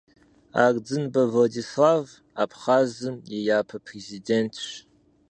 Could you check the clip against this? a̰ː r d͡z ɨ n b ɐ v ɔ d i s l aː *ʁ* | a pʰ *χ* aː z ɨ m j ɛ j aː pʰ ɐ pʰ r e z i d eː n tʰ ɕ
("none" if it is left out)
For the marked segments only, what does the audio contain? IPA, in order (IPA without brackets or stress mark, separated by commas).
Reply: v, χ